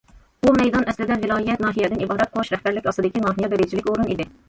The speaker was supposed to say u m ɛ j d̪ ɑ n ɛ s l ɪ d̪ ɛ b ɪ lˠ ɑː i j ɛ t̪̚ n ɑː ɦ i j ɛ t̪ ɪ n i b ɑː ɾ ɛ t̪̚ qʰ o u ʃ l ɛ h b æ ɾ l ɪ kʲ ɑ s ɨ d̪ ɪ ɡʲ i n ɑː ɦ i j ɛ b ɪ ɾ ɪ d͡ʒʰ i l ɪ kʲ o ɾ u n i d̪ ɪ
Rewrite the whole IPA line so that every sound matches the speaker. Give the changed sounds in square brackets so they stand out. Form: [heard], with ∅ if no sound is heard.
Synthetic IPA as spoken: u m ɛ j d̪ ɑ n ɛ s l ɪ d̪ ɛ [v] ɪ lˠ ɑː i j ɛ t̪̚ n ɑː ɦ i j ɛ [d̪] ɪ n i b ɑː ɾ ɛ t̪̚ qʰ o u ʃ [ɾ] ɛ h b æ ɾ l ɪ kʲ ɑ s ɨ d̪ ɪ [kʲ] i n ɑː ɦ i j ɛ b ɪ ɾ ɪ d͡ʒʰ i l ɪ kʲ o ɾ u n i d̪ ɪ